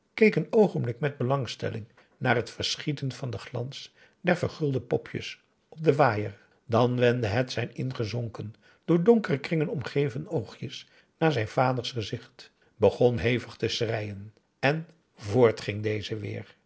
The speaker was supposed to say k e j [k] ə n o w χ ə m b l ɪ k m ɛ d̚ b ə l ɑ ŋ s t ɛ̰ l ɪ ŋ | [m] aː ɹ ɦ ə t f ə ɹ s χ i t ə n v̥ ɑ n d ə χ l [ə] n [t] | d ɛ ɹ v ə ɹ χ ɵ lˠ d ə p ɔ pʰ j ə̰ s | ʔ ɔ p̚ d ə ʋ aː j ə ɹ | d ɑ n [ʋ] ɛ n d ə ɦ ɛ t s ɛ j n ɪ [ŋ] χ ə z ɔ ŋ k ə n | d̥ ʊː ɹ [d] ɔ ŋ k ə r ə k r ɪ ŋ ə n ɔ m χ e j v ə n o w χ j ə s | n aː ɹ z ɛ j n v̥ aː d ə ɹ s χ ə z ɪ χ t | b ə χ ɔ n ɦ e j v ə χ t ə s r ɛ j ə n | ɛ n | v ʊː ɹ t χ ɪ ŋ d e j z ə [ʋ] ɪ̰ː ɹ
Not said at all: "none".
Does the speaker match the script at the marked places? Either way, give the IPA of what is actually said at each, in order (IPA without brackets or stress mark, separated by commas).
k, n, ɑ, s, ʋ, n, d, ʋ